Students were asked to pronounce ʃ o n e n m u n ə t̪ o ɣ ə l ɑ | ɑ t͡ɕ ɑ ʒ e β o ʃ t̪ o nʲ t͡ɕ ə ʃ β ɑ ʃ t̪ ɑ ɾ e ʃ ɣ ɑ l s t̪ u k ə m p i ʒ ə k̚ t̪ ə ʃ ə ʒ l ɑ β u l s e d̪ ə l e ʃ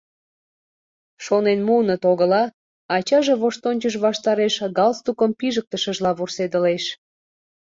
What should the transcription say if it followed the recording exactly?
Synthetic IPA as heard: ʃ o n e n m u n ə t̪ o ɣ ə l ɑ | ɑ t͡ɕ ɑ ʒ e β o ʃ t̪ o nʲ t͡ɕ ə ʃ β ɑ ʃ t̪ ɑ ɾ e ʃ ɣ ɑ l s t̪ u k ə m p i ʒ ə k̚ t̪ ə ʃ ə ʒ l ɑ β u r s e d̪ ə l e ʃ